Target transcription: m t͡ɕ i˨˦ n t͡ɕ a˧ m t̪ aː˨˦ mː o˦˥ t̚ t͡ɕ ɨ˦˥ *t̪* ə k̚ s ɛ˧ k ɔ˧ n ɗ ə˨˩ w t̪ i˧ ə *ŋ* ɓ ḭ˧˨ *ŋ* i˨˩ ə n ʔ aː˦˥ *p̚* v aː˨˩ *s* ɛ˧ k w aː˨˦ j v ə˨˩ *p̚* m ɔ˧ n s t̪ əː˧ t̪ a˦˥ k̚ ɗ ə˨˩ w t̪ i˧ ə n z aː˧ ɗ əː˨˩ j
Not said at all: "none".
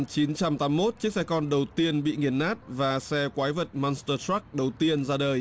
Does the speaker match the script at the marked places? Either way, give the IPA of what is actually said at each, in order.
none, n, ŋ, t̚, s, t̚

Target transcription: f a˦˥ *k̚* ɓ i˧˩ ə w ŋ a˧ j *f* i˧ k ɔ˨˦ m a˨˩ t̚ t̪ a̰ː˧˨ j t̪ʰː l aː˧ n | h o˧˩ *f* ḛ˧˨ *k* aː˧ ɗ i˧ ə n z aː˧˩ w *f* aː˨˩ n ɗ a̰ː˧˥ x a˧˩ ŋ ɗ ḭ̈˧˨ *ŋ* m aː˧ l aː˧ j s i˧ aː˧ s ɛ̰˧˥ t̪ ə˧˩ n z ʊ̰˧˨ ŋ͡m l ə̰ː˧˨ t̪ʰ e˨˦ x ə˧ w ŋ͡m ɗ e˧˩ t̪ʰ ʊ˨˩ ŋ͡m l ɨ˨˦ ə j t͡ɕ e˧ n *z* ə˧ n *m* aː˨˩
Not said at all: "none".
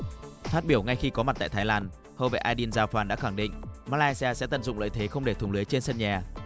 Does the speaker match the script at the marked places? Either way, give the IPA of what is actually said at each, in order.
t̚, x, v, ʔ, f, ŋ, s, ɲ

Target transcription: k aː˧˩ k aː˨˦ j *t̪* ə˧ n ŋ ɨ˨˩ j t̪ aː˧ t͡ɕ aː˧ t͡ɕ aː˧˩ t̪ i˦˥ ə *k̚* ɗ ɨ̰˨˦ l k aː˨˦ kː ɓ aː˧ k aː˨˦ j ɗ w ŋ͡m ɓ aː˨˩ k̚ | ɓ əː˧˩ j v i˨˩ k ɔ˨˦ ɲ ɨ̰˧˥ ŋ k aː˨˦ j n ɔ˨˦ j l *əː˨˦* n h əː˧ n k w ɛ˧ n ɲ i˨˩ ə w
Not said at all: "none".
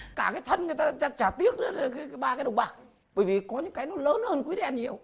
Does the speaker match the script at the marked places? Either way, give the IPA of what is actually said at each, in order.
t̪ʰ, k̚, əː˨˦

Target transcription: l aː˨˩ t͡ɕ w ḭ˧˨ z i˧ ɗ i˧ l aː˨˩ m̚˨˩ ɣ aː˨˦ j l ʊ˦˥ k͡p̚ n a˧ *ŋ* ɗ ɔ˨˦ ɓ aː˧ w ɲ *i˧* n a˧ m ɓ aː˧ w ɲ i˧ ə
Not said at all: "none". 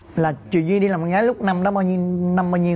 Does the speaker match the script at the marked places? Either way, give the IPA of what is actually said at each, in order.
m, i˧

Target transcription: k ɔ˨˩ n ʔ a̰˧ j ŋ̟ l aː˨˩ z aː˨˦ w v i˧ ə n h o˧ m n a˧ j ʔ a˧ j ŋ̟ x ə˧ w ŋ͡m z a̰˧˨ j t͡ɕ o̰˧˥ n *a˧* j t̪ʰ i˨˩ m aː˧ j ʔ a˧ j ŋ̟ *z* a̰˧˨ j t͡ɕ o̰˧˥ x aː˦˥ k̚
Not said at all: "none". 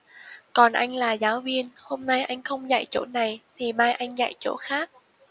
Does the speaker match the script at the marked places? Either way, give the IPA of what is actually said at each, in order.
a˨˩, z

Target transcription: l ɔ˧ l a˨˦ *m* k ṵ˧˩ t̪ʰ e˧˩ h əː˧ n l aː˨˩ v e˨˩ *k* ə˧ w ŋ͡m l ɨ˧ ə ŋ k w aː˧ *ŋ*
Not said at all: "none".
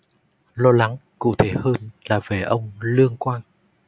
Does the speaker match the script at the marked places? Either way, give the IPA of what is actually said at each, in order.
ŋ, ʔ, n

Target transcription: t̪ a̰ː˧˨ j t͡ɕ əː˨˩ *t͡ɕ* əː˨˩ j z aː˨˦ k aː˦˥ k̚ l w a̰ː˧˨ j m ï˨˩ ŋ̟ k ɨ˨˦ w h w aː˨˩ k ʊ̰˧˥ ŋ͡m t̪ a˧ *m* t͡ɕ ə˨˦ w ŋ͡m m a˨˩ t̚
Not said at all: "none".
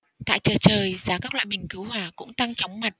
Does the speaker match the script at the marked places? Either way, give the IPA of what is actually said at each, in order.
t͡ɕ, ŋ

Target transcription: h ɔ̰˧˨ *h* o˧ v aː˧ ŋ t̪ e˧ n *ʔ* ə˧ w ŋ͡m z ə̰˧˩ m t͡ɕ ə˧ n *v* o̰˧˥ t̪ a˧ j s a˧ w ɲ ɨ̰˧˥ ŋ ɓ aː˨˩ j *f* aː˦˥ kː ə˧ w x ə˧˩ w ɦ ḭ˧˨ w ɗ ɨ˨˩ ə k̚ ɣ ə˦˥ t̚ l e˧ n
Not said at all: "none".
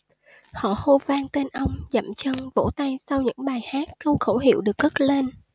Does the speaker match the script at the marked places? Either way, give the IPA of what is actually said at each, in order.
h, ʔ, v, h

